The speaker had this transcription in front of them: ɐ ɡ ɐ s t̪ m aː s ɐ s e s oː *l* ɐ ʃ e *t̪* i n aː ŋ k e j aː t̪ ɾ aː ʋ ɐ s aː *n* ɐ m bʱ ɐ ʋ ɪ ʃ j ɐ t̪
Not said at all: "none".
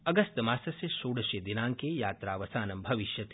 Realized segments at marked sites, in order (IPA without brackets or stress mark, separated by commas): ɽ, d̪, n